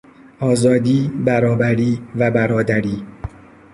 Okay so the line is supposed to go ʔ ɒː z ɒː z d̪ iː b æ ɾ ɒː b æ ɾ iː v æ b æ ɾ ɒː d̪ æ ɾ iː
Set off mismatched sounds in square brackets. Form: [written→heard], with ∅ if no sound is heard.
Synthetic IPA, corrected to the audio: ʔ ɒː z ɒː [z→∅] d̪ iː b æ ɾ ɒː b æ ɾ iː v æ b æ ɾ ɒː d̪ æ ɾ iː